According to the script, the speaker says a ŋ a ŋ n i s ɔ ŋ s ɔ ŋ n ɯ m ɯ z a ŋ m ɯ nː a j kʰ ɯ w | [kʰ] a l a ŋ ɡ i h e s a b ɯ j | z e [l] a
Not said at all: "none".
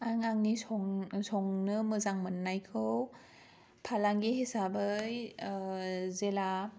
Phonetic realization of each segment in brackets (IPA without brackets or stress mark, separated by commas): pʰ, l